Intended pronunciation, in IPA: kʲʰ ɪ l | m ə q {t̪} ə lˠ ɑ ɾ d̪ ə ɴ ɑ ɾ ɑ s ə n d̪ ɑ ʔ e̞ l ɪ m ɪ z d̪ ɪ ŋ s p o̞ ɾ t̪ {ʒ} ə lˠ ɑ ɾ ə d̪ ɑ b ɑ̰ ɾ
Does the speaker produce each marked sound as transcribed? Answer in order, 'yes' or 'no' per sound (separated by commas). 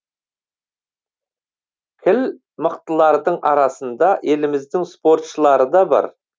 yes, no